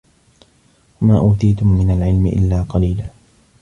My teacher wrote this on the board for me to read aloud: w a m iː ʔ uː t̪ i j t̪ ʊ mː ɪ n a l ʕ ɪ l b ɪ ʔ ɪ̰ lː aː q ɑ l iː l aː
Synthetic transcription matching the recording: w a m aː ʔ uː t̪ i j t̪ ʊ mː ɪ n a l ʕ ɪ l m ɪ ʔ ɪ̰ lː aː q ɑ l iː l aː